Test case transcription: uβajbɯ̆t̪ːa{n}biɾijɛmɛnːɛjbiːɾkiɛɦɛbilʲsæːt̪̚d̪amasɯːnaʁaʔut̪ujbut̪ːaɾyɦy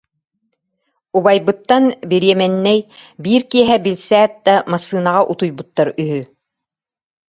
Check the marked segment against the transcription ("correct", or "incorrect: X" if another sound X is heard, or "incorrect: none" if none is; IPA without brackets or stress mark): correct